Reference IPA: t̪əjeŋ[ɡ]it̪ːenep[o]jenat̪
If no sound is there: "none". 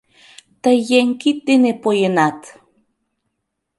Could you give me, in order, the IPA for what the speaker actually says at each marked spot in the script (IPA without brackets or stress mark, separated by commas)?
k, o